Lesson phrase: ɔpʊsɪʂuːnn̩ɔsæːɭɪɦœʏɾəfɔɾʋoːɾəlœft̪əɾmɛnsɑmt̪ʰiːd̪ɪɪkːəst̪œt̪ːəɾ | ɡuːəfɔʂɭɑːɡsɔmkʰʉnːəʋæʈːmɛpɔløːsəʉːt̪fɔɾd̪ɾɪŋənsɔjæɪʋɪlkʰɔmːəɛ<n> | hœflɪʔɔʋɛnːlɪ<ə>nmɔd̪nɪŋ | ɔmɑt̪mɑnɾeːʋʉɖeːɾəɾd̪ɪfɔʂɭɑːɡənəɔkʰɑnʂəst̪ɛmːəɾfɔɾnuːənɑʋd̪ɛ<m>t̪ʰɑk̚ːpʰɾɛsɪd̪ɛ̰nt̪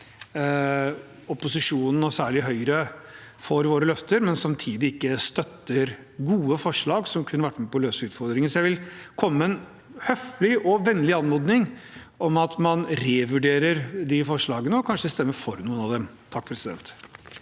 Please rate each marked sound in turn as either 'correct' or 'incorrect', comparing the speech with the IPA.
correct, incorrect, correct

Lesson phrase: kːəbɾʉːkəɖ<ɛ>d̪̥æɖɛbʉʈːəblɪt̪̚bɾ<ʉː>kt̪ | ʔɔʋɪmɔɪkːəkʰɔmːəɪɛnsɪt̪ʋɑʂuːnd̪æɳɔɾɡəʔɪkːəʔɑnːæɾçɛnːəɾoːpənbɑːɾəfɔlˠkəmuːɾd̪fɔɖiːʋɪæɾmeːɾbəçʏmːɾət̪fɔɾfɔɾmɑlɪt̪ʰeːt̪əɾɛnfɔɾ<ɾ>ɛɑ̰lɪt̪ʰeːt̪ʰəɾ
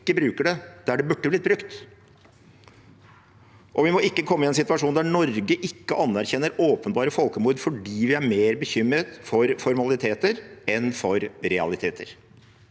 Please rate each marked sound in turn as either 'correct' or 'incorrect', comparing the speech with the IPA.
correct, incorrect, correct

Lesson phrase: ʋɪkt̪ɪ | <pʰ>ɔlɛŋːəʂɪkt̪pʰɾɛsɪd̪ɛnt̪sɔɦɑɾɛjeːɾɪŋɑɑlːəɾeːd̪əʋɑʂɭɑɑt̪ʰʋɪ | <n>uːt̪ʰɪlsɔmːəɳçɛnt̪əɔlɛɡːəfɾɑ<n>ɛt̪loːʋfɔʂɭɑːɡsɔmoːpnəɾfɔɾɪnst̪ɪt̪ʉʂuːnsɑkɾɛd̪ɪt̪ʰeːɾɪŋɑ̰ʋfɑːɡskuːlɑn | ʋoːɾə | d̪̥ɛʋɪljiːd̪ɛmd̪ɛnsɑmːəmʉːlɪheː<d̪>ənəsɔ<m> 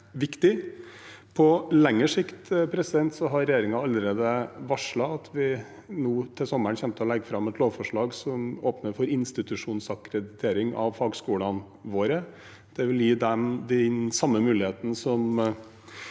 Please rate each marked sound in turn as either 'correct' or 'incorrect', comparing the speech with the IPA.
correct, correct, incorrect, incorrect, correct

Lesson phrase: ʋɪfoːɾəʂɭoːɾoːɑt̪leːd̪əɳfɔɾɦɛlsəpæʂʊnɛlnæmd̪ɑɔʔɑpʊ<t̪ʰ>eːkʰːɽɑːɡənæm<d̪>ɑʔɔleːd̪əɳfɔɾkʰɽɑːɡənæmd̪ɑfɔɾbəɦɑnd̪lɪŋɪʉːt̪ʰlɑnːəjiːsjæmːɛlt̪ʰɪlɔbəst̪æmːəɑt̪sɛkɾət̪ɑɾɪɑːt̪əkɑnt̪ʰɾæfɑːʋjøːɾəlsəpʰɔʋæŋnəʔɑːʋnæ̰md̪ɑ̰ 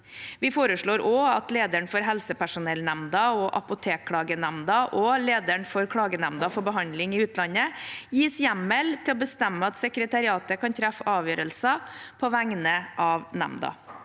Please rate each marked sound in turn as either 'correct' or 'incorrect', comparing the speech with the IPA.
correct, correct

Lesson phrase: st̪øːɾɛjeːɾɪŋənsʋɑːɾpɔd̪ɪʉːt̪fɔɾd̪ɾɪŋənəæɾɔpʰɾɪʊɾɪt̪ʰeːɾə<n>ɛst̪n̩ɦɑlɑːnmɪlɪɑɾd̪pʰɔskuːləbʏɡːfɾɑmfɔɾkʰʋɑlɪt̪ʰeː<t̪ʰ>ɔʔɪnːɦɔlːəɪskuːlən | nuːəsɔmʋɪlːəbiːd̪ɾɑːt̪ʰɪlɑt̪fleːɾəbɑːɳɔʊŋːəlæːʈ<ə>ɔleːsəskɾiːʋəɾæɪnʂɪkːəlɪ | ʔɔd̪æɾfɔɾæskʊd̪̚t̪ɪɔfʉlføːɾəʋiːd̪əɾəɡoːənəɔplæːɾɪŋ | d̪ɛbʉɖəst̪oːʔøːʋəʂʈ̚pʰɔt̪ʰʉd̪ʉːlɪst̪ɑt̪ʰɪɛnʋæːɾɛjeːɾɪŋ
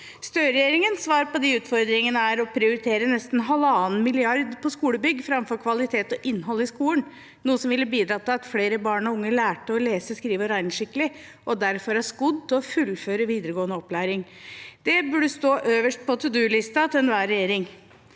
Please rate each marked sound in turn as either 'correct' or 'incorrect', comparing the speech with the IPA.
correct, incorrect, correct

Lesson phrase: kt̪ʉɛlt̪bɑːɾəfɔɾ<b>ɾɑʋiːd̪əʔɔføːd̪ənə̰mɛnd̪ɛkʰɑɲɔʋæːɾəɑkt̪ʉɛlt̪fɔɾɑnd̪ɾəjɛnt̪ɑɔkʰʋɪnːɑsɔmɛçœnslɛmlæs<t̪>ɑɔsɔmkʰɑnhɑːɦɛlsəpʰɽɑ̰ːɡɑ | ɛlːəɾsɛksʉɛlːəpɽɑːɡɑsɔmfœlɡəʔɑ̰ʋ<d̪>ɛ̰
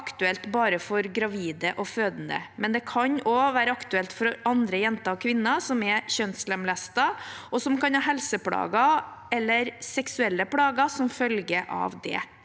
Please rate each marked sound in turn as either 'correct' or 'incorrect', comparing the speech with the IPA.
incorrect, correct, correct

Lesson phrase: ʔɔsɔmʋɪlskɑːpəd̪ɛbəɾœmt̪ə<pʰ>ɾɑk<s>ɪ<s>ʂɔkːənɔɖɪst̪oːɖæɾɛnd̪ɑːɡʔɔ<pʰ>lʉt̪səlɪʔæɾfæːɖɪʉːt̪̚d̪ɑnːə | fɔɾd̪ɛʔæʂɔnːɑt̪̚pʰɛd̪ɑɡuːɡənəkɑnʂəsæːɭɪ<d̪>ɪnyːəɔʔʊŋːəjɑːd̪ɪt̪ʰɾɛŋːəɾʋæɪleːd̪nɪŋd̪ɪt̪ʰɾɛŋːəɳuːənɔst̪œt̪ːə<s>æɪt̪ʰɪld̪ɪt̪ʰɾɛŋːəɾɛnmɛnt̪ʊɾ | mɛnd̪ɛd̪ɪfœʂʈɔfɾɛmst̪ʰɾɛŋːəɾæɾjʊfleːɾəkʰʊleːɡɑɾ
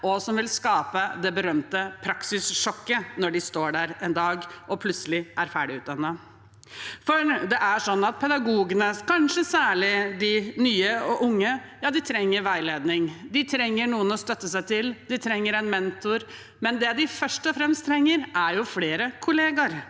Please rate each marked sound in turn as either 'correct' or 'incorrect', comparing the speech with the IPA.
correct, correct, correct, correct, correct, correct

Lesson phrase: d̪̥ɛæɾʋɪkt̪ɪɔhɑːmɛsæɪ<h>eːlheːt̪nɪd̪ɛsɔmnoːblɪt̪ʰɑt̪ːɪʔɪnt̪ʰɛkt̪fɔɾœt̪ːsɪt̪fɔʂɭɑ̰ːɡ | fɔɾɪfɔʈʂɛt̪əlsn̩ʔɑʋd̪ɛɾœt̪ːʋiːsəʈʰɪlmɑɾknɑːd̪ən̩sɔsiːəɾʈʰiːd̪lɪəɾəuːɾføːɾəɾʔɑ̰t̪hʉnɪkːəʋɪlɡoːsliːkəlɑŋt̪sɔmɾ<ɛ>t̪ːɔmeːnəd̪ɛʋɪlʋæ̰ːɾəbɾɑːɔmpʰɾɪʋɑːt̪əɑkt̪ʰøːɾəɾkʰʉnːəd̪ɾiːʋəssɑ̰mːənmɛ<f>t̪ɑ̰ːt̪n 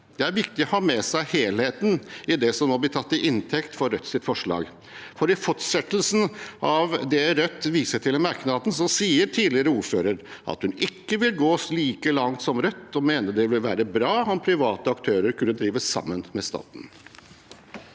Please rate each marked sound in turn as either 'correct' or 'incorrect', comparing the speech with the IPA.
correct, incorrect, incorrect

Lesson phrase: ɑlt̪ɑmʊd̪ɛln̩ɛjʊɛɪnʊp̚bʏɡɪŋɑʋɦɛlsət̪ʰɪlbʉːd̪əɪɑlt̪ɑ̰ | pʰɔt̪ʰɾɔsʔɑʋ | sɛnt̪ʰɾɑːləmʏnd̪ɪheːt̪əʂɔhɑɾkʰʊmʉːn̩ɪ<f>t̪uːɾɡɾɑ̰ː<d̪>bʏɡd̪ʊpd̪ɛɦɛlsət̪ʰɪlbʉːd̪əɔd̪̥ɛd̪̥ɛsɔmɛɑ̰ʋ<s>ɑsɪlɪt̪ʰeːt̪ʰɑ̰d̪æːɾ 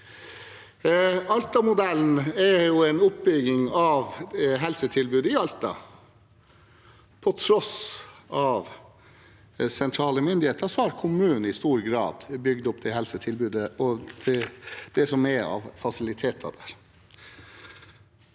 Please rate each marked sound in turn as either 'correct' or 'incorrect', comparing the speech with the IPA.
incorrect, correct, incorrect

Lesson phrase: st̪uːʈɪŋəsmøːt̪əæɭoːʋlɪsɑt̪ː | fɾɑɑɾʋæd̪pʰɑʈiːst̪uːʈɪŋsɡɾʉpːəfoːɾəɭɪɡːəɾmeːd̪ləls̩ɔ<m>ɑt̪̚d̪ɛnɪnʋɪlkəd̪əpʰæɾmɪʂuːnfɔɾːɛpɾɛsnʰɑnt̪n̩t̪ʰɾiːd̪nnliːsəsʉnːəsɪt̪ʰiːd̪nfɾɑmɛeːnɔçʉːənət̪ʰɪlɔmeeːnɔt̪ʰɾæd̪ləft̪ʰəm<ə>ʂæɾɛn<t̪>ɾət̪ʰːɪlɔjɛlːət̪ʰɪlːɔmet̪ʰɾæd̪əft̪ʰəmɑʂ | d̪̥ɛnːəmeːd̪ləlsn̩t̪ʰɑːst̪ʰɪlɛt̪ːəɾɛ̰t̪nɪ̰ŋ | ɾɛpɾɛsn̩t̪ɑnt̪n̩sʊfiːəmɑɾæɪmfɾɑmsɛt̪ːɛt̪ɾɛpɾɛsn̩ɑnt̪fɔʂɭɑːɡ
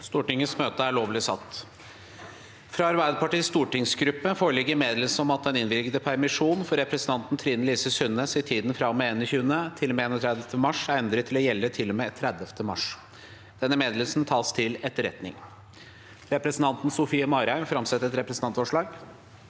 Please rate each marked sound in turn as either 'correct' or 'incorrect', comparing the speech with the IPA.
correct, incorrect, incorrect

